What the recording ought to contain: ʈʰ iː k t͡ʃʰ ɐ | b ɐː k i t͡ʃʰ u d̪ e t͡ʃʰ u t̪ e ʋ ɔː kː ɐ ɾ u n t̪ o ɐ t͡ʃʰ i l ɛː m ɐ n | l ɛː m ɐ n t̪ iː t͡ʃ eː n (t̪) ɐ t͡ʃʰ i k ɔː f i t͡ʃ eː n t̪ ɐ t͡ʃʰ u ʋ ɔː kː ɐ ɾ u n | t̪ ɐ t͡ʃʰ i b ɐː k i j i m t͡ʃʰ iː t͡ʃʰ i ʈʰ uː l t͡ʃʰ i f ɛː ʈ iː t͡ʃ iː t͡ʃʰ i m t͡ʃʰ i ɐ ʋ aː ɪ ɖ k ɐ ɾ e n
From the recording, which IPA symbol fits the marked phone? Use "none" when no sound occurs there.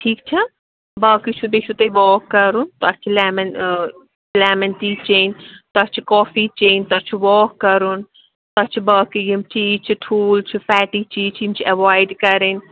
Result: t̪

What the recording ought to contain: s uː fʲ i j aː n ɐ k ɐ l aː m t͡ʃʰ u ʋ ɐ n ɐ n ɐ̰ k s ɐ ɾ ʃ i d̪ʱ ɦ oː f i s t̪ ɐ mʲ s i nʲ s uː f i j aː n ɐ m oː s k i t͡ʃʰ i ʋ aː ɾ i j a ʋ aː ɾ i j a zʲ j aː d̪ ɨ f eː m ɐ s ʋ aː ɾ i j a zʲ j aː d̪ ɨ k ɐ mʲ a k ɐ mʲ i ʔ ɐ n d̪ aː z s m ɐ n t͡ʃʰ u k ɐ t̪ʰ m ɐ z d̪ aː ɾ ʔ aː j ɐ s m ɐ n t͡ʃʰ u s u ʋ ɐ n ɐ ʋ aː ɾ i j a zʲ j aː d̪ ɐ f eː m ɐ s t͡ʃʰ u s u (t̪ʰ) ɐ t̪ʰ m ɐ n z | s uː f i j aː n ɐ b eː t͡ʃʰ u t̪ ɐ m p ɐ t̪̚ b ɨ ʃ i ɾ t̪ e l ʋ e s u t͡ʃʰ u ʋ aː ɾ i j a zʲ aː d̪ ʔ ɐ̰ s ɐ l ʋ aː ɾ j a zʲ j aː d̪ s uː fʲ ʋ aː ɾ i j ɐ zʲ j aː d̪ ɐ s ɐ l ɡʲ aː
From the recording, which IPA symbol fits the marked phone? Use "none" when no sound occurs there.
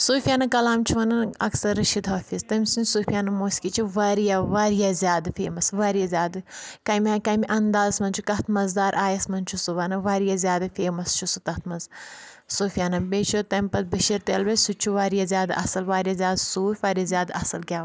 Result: t̪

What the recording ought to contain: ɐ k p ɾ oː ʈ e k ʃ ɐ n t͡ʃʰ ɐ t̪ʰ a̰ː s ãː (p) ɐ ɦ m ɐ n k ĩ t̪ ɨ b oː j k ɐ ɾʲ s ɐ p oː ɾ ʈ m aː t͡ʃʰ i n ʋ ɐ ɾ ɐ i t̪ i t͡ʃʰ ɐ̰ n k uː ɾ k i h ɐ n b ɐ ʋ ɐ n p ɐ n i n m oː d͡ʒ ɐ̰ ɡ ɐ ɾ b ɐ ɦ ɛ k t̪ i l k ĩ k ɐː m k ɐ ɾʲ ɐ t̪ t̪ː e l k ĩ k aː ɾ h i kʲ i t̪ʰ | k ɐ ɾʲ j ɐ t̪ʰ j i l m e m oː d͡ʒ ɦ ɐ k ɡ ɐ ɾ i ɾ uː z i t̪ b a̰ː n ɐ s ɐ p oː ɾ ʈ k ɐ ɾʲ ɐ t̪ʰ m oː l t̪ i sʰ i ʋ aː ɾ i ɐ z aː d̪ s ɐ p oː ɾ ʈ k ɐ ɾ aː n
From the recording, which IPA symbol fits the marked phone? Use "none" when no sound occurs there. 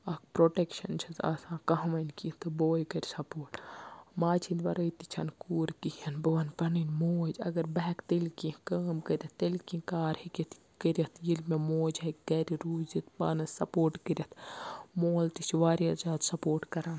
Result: k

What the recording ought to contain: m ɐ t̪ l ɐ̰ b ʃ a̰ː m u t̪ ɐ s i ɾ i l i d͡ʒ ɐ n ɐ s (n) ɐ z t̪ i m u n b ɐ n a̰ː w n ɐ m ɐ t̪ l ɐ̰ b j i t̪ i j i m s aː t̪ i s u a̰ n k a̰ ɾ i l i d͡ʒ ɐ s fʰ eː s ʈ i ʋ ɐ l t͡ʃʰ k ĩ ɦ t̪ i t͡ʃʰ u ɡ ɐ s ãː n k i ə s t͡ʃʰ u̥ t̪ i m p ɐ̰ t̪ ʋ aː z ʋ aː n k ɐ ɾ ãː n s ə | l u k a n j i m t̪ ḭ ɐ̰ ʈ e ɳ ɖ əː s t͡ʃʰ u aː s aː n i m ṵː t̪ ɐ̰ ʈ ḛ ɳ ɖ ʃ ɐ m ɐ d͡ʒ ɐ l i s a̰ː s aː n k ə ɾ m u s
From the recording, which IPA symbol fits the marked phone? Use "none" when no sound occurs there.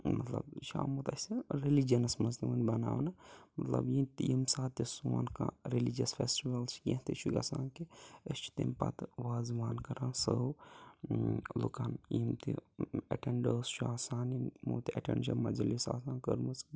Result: m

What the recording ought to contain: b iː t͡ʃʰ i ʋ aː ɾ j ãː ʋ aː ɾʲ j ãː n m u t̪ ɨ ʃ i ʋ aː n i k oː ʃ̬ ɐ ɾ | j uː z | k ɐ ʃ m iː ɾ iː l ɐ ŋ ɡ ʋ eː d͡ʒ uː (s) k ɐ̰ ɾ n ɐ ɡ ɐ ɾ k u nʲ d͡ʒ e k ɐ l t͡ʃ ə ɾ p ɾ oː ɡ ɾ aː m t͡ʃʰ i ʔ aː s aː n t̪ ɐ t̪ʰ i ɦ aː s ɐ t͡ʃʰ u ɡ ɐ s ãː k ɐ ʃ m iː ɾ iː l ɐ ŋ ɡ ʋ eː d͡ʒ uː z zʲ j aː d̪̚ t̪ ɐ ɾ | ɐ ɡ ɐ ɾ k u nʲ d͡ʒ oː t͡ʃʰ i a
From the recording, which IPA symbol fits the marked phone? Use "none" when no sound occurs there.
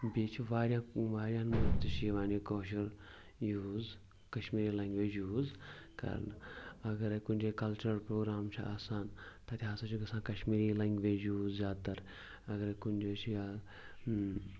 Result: z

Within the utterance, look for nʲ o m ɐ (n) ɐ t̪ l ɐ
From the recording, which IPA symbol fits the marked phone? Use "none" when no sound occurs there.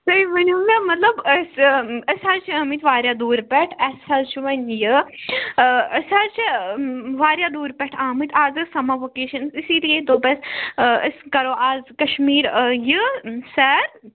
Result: m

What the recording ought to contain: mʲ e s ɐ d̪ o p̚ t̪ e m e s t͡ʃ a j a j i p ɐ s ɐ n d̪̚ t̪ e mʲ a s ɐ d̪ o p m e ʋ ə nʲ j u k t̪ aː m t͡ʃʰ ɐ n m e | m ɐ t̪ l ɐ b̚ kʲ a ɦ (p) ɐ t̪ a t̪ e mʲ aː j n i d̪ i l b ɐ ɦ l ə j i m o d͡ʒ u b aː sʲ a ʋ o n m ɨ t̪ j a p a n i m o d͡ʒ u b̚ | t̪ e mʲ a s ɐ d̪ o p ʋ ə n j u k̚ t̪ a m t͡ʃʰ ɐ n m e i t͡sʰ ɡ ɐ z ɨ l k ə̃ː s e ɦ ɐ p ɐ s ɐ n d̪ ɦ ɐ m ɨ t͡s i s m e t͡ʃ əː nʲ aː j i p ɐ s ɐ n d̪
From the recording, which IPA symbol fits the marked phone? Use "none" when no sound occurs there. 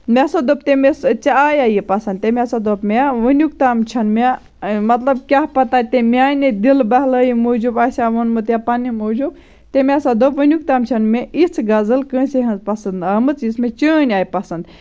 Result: p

